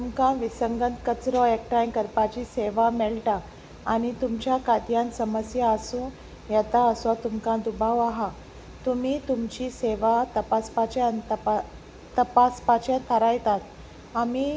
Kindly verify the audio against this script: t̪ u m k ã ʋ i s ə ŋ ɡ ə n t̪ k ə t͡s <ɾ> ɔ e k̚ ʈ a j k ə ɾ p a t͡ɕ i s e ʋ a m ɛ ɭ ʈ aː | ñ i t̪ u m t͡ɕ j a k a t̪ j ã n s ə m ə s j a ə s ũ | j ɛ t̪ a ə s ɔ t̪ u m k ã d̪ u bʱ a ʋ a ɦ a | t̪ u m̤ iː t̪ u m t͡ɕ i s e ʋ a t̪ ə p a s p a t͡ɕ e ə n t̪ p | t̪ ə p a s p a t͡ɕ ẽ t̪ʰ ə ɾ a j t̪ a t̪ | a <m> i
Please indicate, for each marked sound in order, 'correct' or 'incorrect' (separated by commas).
correct, correct